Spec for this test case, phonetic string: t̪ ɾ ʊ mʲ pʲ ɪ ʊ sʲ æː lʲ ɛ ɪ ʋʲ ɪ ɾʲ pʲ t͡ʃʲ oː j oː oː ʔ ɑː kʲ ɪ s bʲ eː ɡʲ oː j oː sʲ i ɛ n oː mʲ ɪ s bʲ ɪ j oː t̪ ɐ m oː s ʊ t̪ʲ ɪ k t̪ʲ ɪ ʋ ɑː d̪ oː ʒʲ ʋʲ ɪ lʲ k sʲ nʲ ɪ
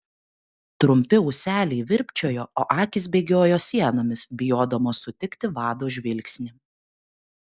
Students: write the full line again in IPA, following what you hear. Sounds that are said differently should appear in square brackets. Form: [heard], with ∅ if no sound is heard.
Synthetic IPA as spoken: t̪ ɾ ʊ mʲ pʲ ɪ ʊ sʲ æː lʲ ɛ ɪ ʋʲ ɪ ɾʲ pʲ t͡ʃʲ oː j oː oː ʔ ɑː kʲ ɪ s bʲ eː ɡʲ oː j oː sʲ i ɛ n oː mʲ ɪ s bʲ ɪ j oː [d̪] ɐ m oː s ʊ t̪ʲ ɪ k t̪ʲ ɪ ʋ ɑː d̪ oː ʒʲ ʋʲ ɪ lʲ k sʲ nʲ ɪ

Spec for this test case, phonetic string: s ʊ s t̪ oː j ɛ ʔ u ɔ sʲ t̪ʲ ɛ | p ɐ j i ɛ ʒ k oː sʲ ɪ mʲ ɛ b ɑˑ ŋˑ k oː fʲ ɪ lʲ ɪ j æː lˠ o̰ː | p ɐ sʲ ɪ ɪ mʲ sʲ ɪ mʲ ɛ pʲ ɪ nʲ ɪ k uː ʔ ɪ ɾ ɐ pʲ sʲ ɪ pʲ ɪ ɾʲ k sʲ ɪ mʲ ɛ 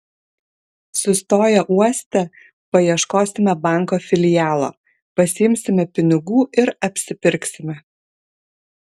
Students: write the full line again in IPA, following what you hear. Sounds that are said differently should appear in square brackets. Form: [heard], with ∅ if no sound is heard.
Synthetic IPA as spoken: s ʊ s t̪ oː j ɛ ʔ u ɔ sʲ t̪ʲ ɛ | p ɐ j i ɛ [ʃ] k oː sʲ ɪ mʲ ɛ b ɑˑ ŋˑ k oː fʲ ɪ lʲ ɪ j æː lˠ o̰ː | p ɐ sʲ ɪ ɪ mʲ sʲ ɪ mʲ ɛ pʲ ɪ nʲ ɪ [ɡ] uː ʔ ɪ ɾ ɐ pʲ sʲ ɪ pʲ ɪ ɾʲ k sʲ ɪ mʲ ɛ

